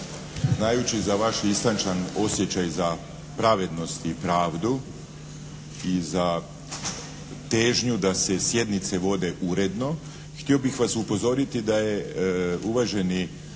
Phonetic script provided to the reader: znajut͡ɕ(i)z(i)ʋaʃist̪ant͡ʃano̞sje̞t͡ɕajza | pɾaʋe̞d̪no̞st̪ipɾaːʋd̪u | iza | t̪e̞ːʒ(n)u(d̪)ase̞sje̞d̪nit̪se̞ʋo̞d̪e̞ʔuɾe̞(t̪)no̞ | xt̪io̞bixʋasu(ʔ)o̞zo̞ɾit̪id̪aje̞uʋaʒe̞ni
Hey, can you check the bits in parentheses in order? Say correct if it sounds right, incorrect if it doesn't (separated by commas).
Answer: correct, incorrect, incorrect, correct, incorrect, incorrect